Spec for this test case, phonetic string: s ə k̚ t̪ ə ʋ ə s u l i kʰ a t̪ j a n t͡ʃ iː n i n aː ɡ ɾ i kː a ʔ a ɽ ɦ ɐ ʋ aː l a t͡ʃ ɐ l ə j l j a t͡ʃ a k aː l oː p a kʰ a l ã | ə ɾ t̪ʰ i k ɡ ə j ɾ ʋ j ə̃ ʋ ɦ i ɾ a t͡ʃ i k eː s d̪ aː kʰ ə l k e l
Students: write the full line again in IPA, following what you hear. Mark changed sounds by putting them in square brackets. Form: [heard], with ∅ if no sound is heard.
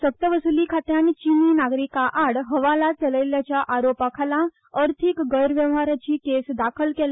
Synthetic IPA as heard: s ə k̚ t̪ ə ʋ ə s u l i kʰ a t̪ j a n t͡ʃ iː n i n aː ɡ ɾ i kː a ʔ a ɽ ɦ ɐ ʋ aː l a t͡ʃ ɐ l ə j l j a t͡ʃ a [ʔ] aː [ɾ] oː p a kʰ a l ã | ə ɾ t̪ʰ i k ɡ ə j ɾ ʋ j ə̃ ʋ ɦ [a] ɾ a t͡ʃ i k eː s d̪ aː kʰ ə l k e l

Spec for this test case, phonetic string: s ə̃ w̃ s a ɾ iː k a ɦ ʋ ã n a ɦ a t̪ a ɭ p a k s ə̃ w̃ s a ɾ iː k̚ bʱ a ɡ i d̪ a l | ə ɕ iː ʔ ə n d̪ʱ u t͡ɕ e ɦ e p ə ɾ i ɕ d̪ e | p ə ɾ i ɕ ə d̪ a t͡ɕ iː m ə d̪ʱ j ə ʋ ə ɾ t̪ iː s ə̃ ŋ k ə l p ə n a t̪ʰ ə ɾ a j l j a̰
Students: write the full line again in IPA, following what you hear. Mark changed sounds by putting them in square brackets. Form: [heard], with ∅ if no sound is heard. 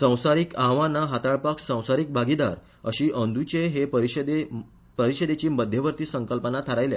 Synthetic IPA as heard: s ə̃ w̃ s a ɾ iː k a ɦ ʋ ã n a ɦ a t̪ a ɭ p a k s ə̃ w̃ s a ɾ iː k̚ bʱ a ɡ i d̪ a [ɾ] | ə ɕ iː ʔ ə n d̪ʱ u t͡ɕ e ɦ e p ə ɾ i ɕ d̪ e | p ə ɾ i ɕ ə d̪ [e] t͡ɕ iː m ə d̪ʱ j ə ʋ ə ɾ t̪ iː s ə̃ ŋ k ə l p ə n a t̪ʰ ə ɾ a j l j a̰

